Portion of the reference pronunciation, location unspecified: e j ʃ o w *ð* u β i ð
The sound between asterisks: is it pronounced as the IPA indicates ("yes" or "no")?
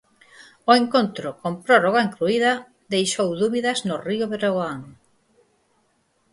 yes